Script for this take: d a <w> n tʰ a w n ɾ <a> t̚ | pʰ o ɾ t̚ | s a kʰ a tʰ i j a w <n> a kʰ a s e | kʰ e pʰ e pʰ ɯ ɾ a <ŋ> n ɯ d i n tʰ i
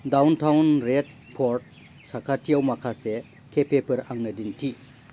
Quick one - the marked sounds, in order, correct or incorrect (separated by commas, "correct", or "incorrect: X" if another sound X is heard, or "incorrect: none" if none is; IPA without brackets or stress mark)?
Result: correct, incorrect: e, incorrect: m, correct